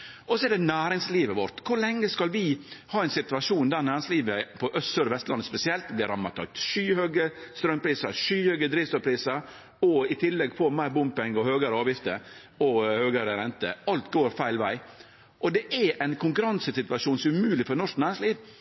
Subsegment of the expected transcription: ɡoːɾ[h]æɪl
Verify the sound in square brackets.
incorrect: f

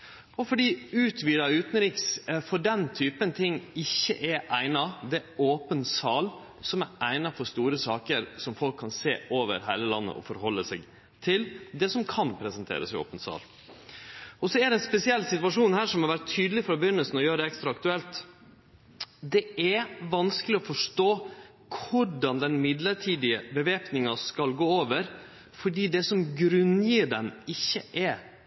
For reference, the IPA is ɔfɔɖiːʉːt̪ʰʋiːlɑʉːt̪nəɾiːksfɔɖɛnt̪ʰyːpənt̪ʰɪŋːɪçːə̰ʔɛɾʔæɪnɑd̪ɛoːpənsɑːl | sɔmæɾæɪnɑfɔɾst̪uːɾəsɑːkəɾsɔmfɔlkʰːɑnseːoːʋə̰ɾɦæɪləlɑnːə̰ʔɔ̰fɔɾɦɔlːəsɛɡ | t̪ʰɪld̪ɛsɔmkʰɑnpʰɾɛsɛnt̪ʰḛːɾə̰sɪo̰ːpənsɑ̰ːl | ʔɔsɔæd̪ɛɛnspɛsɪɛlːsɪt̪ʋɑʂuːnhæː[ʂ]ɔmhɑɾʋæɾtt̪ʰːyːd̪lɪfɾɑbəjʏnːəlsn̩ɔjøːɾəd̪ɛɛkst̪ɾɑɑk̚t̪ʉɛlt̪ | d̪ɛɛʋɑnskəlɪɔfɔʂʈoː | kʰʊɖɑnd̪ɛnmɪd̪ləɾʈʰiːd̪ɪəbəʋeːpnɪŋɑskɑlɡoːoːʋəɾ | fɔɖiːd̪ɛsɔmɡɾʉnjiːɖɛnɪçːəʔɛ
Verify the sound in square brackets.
correct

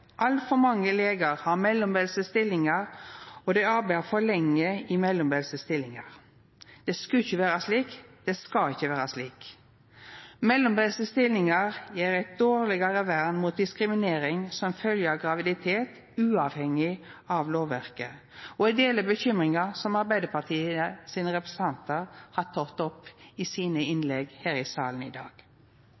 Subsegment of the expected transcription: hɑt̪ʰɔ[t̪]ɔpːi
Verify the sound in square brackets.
correct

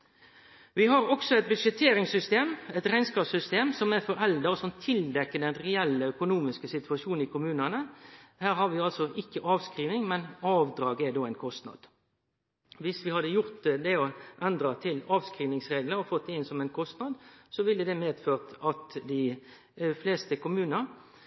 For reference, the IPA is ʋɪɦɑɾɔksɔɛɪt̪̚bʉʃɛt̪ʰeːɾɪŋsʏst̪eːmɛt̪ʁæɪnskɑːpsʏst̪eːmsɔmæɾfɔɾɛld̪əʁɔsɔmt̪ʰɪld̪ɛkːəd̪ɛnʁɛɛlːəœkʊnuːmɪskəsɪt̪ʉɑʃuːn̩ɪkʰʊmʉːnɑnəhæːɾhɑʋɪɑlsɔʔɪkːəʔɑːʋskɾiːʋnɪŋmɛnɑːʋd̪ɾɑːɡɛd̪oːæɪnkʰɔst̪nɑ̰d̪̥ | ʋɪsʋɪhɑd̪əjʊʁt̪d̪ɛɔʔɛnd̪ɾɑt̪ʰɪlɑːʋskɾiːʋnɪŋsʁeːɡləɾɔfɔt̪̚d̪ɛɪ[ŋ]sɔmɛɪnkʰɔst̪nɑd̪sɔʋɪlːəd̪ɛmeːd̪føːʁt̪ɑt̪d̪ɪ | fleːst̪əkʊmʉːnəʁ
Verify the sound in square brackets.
incorrect: n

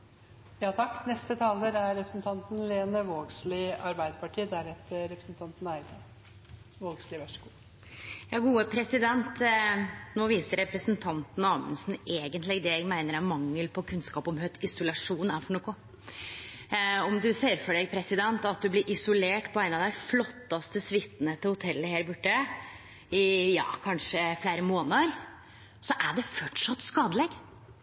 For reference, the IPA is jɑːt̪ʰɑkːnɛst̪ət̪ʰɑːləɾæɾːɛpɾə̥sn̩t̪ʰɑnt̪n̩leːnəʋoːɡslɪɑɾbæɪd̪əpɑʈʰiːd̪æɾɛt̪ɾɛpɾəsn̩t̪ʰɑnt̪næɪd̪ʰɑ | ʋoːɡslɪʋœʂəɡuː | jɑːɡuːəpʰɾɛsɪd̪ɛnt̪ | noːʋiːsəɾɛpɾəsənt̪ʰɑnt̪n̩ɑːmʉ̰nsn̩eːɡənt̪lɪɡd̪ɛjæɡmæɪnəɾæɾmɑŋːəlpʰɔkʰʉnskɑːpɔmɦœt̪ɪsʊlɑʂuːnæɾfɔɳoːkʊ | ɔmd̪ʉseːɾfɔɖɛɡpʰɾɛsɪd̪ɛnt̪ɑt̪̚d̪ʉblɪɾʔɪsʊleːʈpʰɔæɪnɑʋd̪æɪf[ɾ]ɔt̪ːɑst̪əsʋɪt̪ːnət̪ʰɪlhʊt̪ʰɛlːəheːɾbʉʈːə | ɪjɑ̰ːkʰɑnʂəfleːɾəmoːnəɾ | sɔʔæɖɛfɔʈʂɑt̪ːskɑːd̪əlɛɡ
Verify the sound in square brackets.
incorrect: l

